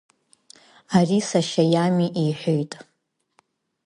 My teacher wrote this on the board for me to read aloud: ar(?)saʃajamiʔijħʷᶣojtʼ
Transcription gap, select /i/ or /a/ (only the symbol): i